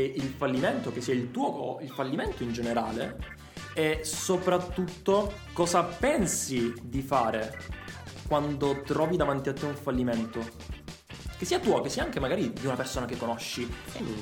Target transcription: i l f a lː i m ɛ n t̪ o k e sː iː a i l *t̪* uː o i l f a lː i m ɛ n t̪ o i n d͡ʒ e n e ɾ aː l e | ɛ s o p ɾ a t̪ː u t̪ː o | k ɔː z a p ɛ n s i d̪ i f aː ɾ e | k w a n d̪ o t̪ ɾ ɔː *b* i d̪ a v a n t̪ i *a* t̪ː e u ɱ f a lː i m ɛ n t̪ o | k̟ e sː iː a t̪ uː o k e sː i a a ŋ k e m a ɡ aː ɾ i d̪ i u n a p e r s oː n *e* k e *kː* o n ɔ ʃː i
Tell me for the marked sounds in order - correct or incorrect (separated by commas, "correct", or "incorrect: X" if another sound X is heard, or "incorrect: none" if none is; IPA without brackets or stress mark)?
correct, incorrect: v, correct, incorrect: a, correct